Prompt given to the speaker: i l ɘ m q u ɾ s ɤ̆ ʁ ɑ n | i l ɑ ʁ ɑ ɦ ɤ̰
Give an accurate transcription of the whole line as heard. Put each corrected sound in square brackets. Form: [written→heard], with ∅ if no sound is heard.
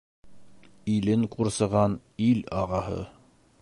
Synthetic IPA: i l ɘ [m→ŋ] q u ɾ s ɤ̆ ʁ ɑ n | i l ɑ ʁ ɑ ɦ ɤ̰